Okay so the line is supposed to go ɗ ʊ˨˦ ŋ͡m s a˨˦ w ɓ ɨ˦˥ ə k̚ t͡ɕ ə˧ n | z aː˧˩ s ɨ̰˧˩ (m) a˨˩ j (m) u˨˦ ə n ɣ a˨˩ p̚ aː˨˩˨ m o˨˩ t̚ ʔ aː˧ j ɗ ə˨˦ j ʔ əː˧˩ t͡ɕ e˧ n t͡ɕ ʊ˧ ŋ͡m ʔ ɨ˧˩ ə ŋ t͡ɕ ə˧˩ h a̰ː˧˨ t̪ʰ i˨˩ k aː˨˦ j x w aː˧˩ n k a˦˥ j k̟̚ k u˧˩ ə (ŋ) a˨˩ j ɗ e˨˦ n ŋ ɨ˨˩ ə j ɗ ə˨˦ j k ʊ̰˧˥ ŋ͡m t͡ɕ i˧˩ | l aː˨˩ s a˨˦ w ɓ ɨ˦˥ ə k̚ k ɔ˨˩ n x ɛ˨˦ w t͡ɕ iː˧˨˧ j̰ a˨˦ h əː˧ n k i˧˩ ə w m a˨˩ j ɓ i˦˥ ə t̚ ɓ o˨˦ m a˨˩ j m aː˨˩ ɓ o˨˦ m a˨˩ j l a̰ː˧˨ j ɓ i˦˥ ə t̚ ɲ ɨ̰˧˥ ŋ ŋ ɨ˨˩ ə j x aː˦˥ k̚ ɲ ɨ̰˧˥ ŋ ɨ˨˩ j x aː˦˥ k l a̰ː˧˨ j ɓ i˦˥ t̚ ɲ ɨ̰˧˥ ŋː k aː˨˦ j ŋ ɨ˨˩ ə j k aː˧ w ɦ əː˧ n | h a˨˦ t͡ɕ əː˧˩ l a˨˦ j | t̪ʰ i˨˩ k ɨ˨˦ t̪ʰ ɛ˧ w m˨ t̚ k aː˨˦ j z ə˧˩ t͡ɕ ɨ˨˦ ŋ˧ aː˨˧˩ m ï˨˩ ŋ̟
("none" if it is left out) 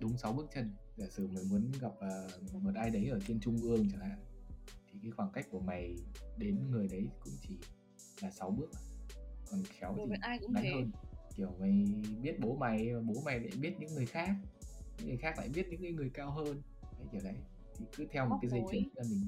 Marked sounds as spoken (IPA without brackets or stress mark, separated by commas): m, m, m